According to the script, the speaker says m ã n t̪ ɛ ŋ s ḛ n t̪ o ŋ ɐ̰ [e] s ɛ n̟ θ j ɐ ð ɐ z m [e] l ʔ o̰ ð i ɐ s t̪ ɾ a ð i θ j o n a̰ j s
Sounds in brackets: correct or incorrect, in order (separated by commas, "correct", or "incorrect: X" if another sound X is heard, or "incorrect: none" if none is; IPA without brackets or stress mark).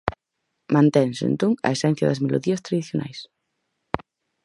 correct, correct